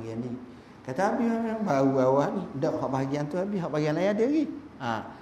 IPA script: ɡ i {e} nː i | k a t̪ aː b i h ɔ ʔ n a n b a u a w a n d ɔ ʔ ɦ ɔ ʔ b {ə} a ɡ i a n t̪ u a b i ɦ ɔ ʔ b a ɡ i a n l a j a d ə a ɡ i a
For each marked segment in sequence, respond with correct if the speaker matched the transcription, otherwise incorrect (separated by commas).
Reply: incorrect, incorrect